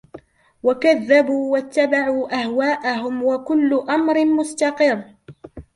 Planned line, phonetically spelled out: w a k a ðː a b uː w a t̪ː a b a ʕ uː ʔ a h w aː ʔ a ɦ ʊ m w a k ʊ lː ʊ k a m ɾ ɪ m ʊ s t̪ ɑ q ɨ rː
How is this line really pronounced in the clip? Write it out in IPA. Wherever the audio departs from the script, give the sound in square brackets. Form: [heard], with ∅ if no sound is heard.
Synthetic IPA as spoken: w a k a ðː a b uː w a t̪ː a b a ʕ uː ʔ a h w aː ʔ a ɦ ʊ m w a k ʊ lː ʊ [ʔ] a m ɾ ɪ m ʊ s t̪ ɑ q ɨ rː

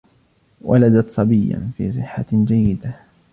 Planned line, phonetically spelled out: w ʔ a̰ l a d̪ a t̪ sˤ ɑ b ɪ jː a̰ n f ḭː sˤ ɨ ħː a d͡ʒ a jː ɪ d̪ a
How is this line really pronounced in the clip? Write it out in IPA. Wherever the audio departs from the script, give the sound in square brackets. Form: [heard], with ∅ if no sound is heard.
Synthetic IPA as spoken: w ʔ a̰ l a d̪ a t̪ sˤ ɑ b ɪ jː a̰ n f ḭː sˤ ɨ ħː a d͡ʒ a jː ɪ d̪ a

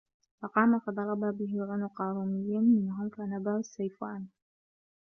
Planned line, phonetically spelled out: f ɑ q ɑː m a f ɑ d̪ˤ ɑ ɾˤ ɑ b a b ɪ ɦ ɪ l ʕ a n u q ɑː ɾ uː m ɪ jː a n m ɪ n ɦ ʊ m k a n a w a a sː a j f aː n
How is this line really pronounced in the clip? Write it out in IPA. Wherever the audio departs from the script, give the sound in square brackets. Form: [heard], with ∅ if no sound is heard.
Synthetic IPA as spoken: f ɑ q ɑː m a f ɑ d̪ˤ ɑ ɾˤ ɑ b a b ɪ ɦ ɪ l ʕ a n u q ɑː ɾ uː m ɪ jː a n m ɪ n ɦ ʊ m k a n a [b] a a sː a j f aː n

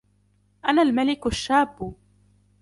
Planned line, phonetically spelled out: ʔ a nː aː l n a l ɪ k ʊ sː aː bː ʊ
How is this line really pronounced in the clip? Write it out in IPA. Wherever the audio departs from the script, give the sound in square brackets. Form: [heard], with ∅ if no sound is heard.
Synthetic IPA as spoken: ʔ a [n] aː l [m] a l ɪ k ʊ [ʃː] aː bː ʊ

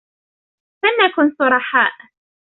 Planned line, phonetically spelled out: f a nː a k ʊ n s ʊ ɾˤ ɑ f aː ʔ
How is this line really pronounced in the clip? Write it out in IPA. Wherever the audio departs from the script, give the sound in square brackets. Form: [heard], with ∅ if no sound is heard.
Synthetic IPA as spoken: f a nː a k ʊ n s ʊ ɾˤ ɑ [ħ] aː ʔ

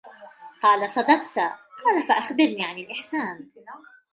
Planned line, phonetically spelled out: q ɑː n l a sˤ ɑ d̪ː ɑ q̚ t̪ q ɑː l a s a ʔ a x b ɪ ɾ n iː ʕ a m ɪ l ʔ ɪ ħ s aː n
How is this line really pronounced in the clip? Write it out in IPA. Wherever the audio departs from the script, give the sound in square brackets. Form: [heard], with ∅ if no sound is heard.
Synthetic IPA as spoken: q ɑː [∅] l a sˤ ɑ [d̪] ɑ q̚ t̪ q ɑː l a [f] a ʔ a x b ɪ ɾ n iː ʕ a [n] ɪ l ʔ ɪ ħ s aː n

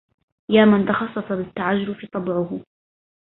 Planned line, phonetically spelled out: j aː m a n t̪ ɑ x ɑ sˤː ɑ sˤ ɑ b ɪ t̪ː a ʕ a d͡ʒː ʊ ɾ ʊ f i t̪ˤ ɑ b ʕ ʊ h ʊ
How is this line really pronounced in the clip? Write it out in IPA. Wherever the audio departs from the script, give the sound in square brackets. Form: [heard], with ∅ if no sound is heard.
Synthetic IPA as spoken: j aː m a n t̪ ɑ x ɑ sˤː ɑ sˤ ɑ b ɪ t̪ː a ʕ a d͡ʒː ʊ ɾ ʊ f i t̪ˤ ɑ b ʕ ʊ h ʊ

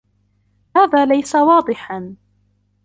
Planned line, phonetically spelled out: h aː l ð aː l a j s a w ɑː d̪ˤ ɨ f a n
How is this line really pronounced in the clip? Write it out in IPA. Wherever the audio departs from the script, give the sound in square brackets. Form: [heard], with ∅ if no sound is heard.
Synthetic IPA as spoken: h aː [∅] ð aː l a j s a w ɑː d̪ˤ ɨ [ħ] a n

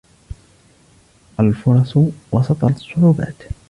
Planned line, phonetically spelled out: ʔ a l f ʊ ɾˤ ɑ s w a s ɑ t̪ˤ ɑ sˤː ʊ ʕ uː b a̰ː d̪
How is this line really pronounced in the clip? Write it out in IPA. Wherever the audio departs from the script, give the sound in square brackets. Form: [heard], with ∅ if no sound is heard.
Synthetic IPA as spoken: ʔ a l f ʊ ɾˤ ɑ s w [ɑ] s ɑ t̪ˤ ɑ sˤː ʊ ʕ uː b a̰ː [t̪]

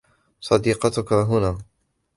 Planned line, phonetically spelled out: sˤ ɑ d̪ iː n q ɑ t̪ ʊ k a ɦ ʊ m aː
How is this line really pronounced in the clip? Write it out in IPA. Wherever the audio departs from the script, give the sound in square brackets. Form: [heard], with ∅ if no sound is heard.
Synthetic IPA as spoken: sˤ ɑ d̪ iː [∅] q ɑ t̪ ʊ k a ɦ ʊ [n] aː

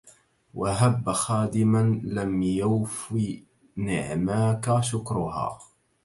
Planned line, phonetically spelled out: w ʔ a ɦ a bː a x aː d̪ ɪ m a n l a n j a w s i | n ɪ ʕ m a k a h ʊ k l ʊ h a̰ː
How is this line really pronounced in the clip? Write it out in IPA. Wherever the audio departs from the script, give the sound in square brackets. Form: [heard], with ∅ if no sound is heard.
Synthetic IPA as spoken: w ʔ a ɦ a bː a x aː d̪ ɪ m a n l a [m] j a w [f] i | n ɪ ʕ m a k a [ʃ] ʊ k [ɾ] ʊ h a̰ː

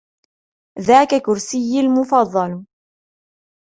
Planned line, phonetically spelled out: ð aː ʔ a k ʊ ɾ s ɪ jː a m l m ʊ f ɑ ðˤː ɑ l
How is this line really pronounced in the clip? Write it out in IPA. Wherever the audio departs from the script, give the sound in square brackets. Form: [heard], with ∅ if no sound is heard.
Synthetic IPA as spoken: ð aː [k] a k ʊ ɾ s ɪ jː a [∅] l m ʊ f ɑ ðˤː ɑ l

